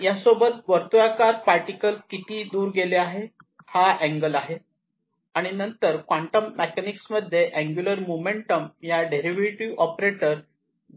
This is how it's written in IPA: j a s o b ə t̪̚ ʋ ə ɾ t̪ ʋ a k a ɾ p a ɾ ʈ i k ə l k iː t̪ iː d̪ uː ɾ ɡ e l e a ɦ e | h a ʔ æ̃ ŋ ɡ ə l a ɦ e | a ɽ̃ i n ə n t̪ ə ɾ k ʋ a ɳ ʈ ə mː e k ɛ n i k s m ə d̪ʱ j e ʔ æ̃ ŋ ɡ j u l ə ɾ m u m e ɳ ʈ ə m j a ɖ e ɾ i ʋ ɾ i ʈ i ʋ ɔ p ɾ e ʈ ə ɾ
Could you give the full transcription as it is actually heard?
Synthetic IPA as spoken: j a s o b ə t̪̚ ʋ ə ɾ t̪ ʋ a k a ɾ p a ɾ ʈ i k ə l k i t̪ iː d̪ uː ɾ ɡ e l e a ɦ e | h a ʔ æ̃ ŋ ɡ ə l a ɦ e | a ɽ̃ i n ə n t̪ ə ɾ k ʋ a ɳ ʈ ə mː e k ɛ n i k s m ə d̪ʱ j e ʔ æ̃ ŋ ɡ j u l ə ɾ m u m e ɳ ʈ ə m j a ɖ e ɾ i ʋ ɾ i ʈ i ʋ ɔ p ɾ e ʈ ə ɾ